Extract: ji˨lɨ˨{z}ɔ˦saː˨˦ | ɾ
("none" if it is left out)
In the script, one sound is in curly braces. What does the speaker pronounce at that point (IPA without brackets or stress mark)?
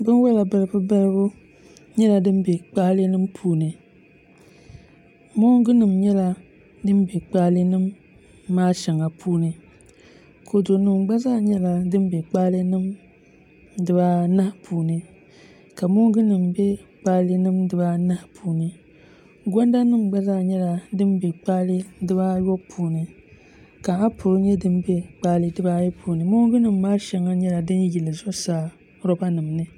z